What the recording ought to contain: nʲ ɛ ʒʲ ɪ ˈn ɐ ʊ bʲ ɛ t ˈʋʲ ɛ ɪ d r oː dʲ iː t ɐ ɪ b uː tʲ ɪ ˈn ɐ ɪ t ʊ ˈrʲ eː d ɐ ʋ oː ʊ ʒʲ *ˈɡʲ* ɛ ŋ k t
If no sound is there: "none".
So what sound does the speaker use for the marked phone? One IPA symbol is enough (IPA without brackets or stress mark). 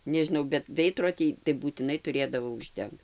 dʲ